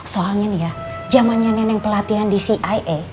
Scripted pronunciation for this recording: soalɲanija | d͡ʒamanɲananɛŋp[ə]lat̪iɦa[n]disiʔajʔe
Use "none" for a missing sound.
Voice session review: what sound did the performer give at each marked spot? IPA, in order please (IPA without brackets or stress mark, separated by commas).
ə, n